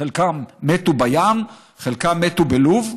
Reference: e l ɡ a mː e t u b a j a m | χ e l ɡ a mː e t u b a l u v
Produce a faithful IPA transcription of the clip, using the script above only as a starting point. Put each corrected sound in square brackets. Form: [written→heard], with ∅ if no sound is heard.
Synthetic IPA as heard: e l [ɡ→k] a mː e t u b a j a m | χ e l [ɡ→k] a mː e t u b [a→e] l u v